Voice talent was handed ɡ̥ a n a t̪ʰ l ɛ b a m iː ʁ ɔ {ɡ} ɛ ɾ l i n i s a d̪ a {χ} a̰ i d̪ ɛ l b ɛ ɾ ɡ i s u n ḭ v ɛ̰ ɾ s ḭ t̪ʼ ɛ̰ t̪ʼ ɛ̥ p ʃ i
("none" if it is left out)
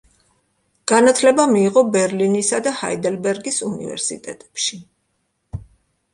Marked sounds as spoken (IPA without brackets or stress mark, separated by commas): b, h